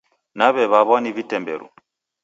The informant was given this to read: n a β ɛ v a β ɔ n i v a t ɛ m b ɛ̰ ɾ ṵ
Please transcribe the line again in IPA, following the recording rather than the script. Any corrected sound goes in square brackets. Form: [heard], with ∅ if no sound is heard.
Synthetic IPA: n a β ɛ [β] a β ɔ n i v [i] t ɛ m b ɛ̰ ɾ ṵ